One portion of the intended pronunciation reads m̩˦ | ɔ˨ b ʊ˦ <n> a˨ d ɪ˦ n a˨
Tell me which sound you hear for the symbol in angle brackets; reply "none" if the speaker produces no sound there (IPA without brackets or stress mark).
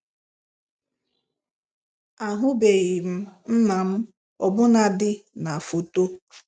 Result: n